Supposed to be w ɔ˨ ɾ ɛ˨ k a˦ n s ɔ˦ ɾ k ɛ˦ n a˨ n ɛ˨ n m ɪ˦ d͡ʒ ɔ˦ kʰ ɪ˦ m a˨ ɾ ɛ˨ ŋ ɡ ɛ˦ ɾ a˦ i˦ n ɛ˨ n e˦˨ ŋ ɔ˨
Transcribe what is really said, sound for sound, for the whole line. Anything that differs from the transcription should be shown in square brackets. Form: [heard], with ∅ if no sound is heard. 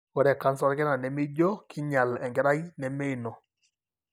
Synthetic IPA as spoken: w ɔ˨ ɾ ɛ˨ k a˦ n s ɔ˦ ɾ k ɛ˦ n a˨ n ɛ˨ [∅] m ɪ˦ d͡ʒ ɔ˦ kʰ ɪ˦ [ɲ] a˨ [l] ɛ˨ ŋ ɡ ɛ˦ ɾ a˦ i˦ n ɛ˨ [m] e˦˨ [n] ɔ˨